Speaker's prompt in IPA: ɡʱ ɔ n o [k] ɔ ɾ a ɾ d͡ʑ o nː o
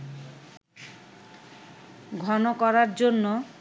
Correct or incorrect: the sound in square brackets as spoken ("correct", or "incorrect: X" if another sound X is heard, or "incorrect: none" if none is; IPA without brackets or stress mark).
correct